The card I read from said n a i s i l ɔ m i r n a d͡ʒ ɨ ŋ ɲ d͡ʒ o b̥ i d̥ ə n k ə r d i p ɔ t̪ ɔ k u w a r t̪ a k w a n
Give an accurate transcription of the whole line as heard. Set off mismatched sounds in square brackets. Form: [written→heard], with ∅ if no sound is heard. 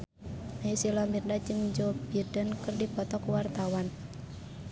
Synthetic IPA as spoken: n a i s i l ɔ m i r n a d͡ʒ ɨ ŋ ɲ d͡ʒ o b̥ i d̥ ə n k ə r d i p ɔ t̪ ɔ k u w a r t̪ a [k→∅] w a n

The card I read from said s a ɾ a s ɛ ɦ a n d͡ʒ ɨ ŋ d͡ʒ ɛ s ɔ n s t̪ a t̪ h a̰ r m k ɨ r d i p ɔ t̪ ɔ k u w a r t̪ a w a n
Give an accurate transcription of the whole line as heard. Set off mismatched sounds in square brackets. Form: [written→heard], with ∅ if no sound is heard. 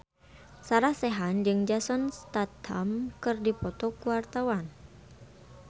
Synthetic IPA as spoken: s a ɾ a s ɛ ɦ a n d͡ʒ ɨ ŋ d͡ʒ [ɛ→a] s ɔ n s t̪ a t̪ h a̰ [r→∅] m k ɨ r d i p ɔ t̪ ɔ k u w a r t̪ a w a n

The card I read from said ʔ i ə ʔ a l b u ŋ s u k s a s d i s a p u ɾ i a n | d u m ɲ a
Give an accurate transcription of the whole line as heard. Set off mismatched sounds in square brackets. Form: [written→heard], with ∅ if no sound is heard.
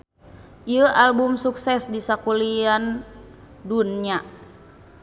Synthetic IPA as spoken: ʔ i ə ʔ a l b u [ŋ→m] s u k s [a→ɛ] s d i s a [p→k] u [ɾ→l] i a n | d u [m→n] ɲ a

